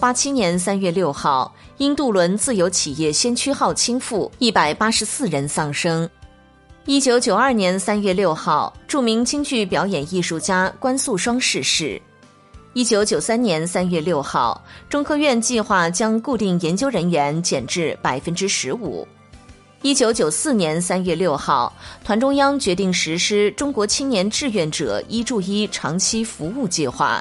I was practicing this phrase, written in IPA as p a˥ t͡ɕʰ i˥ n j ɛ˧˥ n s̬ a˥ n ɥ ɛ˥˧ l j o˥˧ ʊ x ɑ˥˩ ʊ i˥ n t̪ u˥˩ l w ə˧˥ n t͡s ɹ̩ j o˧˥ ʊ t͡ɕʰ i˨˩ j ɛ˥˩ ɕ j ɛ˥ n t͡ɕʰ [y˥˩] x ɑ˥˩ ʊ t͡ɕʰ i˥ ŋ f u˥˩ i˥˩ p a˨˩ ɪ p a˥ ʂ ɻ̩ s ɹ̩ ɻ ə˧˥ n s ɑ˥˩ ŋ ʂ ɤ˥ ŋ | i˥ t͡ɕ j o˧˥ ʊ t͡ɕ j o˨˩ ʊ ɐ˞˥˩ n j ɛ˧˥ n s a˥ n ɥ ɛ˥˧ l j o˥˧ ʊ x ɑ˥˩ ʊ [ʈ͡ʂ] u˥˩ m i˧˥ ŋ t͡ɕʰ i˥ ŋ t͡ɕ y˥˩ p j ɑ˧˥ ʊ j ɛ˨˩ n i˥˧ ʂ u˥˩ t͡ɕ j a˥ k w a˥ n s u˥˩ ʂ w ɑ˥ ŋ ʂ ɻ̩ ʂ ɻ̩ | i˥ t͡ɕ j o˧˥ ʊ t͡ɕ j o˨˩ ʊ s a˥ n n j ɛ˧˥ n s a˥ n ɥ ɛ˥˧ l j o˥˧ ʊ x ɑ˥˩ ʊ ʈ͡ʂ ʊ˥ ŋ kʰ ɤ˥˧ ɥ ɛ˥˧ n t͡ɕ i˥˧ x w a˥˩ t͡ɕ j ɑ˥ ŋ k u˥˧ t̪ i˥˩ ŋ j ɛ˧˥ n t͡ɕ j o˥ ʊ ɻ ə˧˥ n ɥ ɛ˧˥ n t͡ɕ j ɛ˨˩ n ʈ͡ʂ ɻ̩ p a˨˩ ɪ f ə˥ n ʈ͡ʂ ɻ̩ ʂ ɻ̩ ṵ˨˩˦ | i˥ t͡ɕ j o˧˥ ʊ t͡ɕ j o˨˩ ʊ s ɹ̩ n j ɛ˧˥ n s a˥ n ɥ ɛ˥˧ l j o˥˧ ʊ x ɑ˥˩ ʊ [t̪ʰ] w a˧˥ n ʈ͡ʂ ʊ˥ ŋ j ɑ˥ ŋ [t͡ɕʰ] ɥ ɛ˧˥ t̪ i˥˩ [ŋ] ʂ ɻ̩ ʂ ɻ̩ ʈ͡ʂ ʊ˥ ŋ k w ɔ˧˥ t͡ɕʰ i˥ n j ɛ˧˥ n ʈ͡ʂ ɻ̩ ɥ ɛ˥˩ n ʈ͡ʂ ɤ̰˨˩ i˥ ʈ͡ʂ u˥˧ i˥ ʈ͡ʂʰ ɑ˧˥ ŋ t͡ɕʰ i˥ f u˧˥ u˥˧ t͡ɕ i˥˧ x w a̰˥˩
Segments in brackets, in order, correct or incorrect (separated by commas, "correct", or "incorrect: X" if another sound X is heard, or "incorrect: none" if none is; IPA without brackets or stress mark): incorrect: y˥, correct, correct, incorrect: t͡ɕ, correct